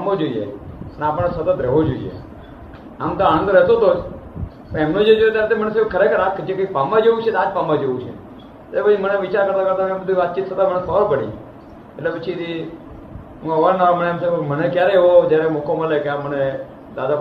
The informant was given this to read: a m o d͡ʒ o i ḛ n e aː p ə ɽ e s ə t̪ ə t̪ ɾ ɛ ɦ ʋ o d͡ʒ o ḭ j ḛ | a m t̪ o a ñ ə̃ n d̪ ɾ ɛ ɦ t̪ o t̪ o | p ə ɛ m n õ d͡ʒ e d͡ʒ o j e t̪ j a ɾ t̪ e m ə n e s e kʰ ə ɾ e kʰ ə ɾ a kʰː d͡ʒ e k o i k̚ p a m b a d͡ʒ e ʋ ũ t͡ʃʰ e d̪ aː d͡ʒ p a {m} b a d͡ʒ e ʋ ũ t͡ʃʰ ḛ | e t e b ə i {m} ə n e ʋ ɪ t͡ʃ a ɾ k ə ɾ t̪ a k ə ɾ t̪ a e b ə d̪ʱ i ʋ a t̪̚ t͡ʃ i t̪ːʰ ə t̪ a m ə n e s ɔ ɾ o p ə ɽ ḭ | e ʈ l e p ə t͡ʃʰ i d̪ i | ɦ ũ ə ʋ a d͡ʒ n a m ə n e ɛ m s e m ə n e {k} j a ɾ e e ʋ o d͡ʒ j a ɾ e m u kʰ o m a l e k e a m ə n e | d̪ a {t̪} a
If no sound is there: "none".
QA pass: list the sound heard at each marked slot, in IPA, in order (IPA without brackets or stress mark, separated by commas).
m, m, k, d̪